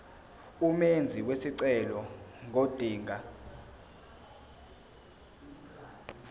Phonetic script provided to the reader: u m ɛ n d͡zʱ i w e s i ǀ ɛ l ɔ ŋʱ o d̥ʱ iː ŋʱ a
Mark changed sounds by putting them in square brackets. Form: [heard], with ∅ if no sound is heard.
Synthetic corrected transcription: u m [e] n d͡zʱ i w e s i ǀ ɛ l ɔ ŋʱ o d̥ʱ iː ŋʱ a